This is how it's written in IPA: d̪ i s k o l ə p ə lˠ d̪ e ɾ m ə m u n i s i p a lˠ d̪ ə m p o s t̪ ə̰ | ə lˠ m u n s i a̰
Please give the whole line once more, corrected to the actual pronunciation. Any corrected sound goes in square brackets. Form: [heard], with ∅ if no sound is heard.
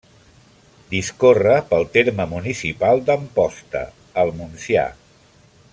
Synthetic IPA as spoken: d̪ i s k o [r] ə p ə lˠ [t̪] e ɾ m ə m u n i s i p a lˠ d̪ ə m p [ɔ] s t̪ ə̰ | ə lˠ m u n s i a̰